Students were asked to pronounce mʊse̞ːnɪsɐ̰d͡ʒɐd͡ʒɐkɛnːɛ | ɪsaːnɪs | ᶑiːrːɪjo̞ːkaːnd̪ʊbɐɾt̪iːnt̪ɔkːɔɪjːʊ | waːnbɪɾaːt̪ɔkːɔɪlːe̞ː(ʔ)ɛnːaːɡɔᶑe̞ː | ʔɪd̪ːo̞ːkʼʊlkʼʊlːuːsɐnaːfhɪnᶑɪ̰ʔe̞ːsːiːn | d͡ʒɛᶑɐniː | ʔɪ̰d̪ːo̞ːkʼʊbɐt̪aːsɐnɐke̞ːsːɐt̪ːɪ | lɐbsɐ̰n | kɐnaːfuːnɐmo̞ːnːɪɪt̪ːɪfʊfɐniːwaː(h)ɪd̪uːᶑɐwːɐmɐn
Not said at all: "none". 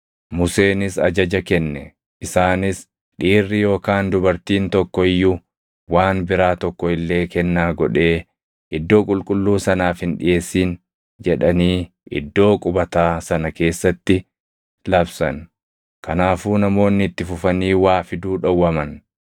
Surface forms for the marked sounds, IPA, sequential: k, f

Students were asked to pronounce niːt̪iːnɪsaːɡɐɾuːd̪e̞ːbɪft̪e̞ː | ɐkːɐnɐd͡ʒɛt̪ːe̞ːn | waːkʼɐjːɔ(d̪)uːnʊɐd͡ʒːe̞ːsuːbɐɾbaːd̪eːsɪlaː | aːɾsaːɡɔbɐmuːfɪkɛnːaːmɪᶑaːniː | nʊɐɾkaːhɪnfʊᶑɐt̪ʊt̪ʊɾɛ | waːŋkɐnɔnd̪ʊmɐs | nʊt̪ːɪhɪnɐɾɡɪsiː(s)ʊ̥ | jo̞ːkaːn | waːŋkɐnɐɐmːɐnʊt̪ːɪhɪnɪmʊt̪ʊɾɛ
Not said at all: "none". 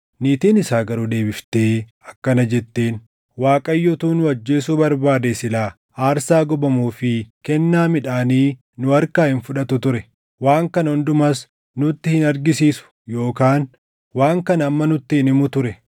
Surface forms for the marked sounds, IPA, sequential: t̪, s

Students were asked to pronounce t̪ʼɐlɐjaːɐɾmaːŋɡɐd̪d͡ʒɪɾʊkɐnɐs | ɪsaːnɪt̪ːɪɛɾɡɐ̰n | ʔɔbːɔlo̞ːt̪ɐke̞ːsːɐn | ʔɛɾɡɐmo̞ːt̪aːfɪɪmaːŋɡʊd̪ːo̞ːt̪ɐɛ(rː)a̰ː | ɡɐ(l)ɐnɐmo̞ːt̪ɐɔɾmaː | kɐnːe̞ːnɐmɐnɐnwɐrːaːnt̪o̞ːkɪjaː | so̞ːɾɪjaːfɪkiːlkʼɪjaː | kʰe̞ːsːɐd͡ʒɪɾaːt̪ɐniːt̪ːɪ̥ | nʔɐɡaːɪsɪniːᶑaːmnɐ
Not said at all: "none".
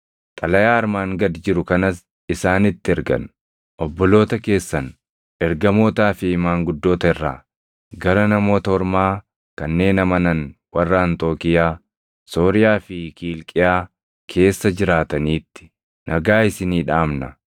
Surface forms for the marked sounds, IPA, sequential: rː, ɾ

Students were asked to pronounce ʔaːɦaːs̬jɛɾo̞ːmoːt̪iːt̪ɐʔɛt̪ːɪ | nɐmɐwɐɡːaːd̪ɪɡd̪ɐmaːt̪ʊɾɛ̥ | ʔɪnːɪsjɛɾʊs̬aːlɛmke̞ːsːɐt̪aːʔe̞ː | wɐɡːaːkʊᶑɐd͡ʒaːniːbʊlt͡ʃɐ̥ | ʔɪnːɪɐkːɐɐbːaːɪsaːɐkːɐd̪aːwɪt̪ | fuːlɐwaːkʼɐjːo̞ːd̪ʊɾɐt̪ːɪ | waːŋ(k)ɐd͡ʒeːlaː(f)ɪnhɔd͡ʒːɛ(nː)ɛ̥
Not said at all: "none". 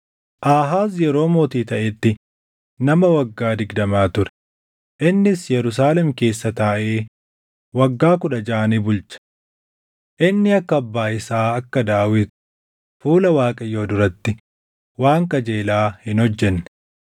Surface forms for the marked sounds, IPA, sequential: k, h, nː

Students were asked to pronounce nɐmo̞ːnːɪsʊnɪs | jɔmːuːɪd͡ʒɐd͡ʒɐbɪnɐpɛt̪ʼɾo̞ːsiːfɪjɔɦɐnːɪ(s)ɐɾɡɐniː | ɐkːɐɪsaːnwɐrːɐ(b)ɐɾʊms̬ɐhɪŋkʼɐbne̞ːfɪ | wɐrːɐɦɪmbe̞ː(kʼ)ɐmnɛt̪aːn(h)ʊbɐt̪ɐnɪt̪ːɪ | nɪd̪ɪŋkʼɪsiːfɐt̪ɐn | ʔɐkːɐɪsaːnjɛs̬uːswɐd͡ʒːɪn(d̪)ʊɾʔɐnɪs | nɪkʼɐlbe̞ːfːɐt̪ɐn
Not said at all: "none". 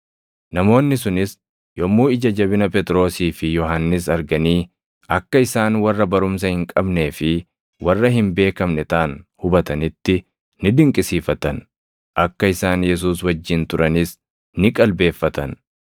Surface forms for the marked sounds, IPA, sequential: s, b, k, h, t̪

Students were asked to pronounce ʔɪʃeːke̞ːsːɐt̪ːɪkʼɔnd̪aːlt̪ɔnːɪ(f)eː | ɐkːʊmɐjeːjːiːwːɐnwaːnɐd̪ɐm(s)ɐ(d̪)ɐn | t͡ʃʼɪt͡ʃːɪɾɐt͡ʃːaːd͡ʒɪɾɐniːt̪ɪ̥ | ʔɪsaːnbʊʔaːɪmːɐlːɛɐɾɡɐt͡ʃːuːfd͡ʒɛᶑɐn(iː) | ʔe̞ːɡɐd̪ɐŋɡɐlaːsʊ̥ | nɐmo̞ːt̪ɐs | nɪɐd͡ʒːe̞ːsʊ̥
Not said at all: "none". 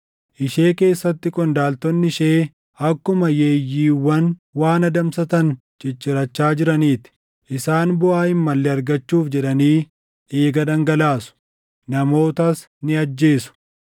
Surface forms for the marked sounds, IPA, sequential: ʃ, s, t̪, iː

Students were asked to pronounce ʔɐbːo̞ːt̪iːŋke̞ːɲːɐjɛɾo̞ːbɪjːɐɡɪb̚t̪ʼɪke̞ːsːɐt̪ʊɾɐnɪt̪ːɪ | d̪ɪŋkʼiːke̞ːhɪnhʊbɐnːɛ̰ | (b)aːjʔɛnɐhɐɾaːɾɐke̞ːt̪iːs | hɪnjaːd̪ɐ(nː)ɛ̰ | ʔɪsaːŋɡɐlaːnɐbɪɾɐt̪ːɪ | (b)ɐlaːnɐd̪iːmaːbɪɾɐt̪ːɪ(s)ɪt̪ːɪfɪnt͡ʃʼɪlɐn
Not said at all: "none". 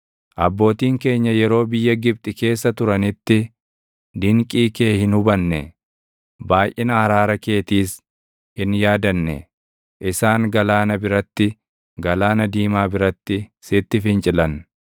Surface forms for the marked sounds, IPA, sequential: b, nː, ɡ, s

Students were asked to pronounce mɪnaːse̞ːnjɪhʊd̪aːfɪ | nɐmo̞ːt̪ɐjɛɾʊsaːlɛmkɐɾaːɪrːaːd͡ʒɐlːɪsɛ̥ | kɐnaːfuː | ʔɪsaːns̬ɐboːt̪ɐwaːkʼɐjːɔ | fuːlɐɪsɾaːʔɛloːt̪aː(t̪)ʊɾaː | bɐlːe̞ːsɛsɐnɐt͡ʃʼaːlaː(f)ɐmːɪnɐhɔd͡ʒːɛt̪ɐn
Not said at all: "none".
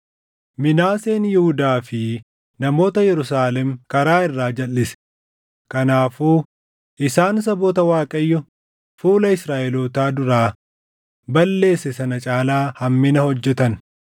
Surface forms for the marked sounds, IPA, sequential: d̪, h

